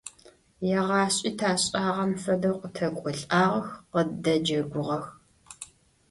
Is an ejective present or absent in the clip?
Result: present